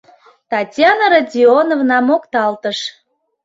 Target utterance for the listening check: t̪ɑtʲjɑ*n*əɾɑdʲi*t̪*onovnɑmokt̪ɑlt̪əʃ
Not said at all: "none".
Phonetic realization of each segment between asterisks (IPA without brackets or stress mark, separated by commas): n, none